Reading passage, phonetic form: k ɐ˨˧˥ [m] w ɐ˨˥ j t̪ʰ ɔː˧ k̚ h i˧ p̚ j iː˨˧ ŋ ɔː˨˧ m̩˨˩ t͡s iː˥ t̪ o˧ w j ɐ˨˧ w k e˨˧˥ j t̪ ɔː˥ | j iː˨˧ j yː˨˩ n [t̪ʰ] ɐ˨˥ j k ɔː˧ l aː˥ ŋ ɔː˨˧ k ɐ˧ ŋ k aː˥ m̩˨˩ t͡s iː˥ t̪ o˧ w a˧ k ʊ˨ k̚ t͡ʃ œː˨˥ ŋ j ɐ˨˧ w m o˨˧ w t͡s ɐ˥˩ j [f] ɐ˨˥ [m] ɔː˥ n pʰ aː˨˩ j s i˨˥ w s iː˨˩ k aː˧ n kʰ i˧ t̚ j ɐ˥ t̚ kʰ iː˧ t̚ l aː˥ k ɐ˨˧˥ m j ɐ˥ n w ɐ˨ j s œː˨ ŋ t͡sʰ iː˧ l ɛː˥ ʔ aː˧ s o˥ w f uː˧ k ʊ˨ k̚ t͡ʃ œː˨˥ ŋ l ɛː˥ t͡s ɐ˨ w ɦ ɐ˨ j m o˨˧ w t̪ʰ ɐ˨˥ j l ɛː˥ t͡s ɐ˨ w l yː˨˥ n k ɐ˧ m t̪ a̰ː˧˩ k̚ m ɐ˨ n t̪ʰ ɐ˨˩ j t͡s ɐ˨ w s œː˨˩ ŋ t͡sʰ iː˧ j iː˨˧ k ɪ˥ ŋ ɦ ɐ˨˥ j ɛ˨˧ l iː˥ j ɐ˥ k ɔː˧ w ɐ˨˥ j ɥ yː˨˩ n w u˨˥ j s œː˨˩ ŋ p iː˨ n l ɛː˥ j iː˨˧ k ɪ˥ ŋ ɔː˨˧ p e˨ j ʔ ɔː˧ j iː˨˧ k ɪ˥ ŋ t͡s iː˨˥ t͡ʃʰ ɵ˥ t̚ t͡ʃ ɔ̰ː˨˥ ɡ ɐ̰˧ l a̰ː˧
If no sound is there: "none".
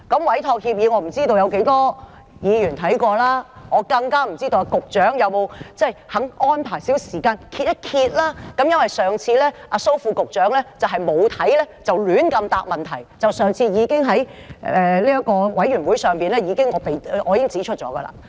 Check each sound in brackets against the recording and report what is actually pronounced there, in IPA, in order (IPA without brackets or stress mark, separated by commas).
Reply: m, t̪ʰ, h, ŋ